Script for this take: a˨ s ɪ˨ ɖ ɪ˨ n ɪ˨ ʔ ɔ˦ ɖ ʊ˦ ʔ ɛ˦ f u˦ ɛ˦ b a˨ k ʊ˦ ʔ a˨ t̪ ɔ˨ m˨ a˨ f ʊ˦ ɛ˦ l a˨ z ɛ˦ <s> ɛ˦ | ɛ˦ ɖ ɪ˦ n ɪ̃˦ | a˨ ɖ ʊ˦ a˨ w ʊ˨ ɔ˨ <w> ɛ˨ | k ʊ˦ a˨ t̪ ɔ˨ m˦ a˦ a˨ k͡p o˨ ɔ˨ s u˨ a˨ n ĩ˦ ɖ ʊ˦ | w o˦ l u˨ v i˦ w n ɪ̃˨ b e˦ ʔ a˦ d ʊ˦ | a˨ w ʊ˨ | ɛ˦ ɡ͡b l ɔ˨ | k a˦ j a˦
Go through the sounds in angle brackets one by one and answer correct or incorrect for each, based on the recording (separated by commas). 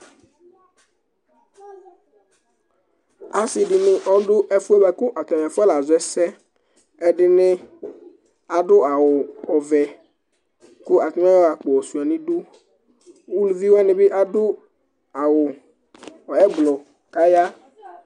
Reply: correct, incorrect